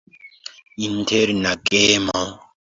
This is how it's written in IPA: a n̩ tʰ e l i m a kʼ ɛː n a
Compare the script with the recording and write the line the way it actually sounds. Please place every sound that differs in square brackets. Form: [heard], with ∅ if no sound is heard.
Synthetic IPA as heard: [i] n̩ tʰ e [ɾ] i [n] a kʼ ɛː [m] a